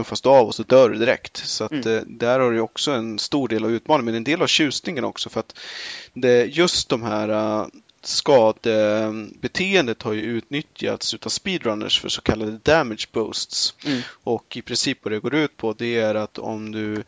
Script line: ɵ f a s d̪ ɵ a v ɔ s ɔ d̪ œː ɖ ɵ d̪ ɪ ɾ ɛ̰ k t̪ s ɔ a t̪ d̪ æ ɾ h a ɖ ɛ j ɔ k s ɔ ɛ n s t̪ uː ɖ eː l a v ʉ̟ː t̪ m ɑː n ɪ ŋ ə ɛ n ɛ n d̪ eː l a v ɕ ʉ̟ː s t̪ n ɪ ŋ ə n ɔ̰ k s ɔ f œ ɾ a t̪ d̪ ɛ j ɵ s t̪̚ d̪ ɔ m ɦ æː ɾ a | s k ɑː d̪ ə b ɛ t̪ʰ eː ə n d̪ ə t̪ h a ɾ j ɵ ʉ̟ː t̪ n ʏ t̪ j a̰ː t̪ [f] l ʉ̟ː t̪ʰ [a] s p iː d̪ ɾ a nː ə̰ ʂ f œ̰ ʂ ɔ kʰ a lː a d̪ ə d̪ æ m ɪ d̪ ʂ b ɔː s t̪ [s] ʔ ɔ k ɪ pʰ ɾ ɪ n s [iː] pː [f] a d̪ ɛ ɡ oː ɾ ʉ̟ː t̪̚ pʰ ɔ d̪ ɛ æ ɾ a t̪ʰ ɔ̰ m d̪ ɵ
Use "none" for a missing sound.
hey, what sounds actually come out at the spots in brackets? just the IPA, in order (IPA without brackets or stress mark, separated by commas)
s, a, s, iː, v